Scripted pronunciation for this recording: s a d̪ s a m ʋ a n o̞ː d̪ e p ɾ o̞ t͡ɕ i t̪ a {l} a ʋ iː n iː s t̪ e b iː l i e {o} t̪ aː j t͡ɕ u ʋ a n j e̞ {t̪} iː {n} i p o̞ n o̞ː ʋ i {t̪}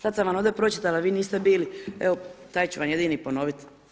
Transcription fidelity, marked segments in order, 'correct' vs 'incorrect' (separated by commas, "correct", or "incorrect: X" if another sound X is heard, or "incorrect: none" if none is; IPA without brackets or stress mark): correct, correct, incorrect: d̪, correct, correct